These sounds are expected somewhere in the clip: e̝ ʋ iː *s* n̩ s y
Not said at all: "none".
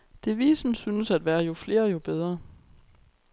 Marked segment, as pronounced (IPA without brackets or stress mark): s